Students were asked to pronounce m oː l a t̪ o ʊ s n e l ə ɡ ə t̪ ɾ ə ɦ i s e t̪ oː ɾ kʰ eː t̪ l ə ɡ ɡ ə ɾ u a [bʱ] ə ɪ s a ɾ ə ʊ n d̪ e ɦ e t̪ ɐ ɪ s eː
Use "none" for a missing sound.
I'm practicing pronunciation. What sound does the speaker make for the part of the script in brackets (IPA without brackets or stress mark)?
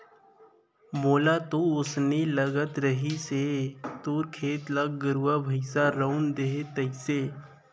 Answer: bʱ